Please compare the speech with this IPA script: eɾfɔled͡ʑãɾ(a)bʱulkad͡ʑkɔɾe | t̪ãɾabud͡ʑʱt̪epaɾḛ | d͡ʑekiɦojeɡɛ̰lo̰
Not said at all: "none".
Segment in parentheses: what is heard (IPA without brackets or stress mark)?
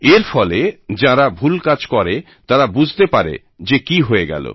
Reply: a